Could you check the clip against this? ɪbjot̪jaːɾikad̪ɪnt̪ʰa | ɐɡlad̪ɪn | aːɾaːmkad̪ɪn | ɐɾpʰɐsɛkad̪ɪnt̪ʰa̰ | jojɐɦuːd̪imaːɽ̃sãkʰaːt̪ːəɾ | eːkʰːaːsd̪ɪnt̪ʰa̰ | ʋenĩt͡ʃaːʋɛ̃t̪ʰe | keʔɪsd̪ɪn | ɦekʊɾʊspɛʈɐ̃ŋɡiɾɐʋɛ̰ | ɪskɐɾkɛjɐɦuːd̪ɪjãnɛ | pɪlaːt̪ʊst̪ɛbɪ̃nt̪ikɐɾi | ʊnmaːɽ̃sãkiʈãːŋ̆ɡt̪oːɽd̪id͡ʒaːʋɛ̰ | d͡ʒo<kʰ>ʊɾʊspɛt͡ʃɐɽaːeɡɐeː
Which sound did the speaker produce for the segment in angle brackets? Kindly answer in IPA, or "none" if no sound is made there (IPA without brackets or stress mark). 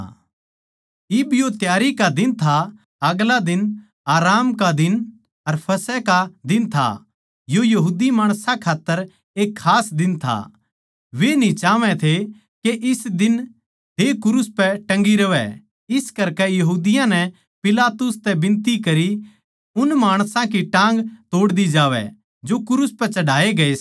k